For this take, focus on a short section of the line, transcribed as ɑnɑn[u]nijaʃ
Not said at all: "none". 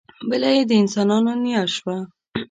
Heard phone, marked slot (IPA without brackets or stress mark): o